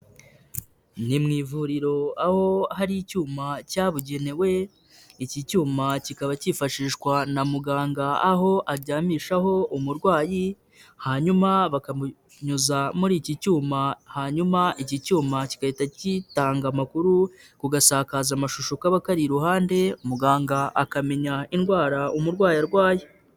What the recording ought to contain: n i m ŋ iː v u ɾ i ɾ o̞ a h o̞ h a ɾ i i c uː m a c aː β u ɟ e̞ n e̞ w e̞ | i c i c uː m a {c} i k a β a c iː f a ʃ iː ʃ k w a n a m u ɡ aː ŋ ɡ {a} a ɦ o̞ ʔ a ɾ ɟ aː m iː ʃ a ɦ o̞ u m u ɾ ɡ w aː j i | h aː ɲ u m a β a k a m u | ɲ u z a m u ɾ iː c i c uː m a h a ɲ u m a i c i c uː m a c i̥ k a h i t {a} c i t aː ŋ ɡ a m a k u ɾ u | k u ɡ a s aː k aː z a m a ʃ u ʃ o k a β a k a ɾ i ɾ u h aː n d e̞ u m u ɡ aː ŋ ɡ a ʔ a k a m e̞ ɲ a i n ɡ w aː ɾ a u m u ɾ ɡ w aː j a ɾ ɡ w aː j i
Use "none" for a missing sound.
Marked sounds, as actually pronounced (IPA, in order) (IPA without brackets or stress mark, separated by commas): c, a, a